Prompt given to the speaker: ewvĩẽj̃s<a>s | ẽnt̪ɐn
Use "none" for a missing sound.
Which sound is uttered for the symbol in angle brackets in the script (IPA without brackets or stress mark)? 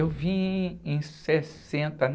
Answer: e